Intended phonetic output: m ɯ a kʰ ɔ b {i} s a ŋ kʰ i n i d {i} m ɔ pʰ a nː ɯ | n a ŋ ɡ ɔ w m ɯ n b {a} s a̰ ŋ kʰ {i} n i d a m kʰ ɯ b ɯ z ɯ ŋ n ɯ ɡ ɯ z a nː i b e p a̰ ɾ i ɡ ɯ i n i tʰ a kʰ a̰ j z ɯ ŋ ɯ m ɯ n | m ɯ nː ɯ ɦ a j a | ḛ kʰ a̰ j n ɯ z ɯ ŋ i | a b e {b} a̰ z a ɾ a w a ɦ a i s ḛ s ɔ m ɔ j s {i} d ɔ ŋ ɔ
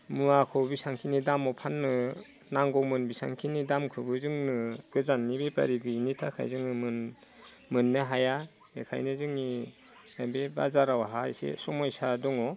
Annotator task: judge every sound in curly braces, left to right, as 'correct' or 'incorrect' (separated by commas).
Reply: correct, incorrect, incorrect, correct, correct, incorrect